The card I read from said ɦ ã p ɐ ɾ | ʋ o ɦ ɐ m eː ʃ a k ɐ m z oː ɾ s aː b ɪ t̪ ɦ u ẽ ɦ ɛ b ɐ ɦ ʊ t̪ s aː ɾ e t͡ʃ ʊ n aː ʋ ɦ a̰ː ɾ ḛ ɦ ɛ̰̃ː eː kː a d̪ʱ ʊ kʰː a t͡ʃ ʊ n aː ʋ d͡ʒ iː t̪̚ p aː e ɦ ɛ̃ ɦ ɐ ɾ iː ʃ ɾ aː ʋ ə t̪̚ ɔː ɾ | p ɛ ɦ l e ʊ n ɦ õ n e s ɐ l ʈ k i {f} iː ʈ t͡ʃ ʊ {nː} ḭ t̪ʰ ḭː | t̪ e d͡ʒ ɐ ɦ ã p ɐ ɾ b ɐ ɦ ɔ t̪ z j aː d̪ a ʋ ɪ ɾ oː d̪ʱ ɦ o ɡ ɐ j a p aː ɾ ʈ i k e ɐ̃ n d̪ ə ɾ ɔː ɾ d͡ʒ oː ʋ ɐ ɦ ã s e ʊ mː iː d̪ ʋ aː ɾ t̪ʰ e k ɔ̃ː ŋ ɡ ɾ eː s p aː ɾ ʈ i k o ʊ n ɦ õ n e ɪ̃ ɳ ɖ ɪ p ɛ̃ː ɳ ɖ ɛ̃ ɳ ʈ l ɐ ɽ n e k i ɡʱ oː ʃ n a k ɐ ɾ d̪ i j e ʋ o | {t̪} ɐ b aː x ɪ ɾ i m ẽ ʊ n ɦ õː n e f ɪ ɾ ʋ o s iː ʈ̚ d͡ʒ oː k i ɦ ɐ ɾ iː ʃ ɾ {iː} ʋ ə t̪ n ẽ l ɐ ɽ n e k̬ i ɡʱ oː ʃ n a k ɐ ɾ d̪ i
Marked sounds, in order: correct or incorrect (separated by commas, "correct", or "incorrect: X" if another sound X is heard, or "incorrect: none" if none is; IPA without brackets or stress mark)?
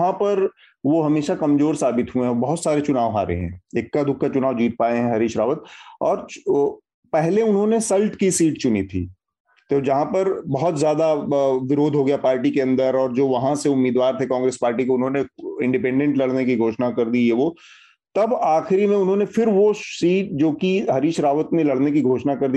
incorrect: s, incorrect: n, correct, incorrect: aː